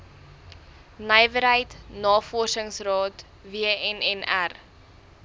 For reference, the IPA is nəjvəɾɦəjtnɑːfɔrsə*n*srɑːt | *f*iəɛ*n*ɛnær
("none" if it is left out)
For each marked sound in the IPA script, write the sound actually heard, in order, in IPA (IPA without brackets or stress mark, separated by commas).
ŋ, v, n